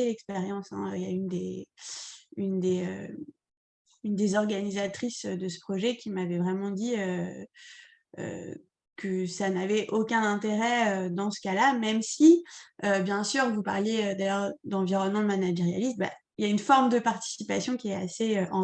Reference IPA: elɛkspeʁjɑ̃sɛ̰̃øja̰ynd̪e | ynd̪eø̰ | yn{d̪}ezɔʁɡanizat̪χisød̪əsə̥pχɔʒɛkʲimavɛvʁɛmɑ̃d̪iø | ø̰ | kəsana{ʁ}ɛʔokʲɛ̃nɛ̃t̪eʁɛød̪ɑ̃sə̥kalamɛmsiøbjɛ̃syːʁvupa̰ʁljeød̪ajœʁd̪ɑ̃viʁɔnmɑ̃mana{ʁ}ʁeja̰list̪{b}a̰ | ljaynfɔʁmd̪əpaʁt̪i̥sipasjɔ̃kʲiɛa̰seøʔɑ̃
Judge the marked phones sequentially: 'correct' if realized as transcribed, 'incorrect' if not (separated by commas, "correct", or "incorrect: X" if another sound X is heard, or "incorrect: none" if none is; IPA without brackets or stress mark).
correct, incorrect: v, incorrect: ʒ, correct